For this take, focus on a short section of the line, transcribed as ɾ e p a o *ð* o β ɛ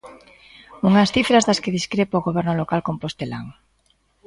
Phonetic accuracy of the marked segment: incorrect: ɣ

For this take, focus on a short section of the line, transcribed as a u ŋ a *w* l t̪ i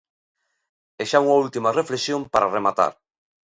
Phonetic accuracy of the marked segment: incorrect: u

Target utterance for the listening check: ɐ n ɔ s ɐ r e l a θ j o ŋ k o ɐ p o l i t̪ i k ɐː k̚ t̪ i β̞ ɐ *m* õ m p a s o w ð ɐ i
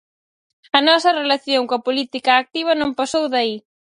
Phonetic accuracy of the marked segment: incorrect: n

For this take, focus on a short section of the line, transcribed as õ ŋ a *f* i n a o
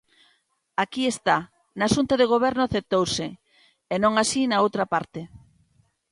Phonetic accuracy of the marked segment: incorrect: s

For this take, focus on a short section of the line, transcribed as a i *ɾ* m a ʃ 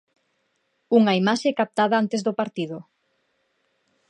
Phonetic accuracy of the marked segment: incorrect: none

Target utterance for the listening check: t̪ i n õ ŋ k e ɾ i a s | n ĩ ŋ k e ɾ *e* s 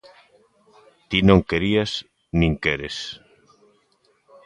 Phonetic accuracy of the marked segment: correct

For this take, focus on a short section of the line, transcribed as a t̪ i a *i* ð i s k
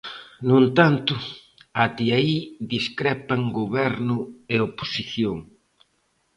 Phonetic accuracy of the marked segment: correct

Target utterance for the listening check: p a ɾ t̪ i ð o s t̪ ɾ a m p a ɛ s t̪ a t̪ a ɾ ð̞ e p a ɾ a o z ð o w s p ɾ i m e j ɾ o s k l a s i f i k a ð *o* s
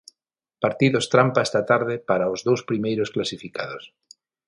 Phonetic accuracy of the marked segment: correct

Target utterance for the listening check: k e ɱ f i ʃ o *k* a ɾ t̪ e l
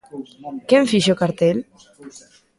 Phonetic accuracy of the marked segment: correct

